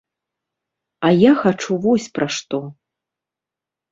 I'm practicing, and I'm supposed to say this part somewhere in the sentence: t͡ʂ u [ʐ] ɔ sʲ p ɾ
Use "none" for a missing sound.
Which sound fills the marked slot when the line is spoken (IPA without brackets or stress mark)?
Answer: v